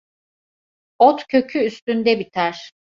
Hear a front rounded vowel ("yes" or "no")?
yes